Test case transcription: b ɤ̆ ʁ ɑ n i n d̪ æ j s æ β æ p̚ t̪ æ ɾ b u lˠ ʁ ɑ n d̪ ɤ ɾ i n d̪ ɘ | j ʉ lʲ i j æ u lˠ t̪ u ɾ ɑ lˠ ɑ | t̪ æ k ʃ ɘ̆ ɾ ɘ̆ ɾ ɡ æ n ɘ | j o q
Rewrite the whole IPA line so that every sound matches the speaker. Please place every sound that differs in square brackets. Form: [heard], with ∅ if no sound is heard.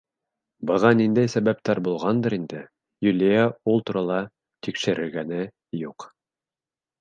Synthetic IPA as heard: b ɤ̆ ʁ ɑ n i n d̪ æ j s æ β æ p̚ t̪ æ ɾ b u lˠ ʁ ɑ n d̪ ɤ ɾ i n d̪ ɘ | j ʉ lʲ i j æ u lˠ t̪ u ɾ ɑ lˠ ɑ | t̪ [i] k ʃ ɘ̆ ɾ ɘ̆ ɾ ɡ æ n ɘ | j [u] q